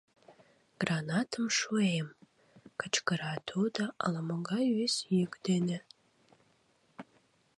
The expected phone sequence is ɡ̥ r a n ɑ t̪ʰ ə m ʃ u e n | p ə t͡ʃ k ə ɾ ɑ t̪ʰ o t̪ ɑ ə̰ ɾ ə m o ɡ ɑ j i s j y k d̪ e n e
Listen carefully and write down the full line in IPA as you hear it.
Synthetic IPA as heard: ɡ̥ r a n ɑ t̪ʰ ə m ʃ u e m | k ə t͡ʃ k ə ɾ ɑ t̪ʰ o d̪ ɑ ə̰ l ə m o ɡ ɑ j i s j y k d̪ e n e